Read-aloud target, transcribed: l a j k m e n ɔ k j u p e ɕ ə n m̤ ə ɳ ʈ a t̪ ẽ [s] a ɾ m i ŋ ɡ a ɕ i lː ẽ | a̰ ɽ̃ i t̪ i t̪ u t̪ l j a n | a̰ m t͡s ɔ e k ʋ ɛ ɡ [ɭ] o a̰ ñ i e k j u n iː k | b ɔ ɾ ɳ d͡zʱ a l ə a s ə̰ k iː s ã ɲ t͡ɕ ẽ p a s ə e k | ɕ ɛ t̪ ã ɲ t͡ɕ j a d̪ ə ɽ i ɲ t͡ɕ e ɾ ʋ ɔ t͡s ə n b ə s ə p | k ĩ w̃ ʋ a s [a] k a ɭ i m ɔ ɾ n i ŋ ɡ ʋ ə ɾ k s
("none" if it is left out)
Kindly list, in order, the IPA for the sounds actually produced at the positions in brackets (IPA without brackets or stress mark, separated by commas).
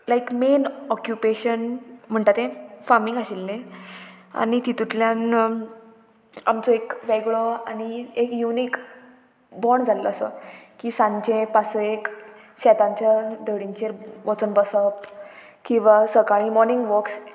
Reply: f, ɭ, ə